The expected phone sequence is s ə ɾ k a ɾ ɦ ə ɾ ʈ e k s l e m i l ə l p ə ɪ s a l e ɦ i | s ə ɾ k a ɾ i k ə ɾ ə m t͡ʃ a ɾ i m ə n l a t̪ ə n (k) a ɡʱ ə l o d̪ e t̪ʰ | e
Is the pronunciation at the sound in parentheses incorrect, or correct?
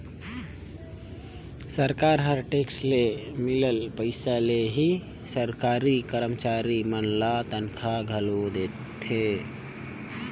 incorrect